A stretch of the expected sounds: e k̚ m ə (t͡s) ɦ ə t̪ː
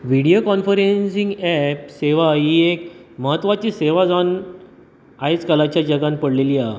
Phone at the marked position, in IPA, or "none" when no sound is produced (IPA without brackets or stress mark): none